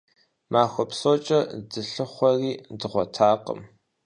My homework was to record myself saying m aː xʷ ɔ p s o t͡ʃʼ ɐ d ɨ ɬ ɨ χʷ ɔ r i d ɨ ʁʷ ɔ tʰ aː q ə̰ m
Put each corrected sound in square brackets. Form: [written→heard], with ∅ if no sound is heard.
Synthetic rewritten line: m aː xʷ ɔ p s o t͡ʃʼ ɐ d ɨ ɬ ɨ χʷ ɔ r [i→iː] d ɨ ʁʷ ɔ tʰ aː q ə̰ m